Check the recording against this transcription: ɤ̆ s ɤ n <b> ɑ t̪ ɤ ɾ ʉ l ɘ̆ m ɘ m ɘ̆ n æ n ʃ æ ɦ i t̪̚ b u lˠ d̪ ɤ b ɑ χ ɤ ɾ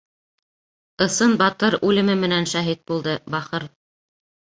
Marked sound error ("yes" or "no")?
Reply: no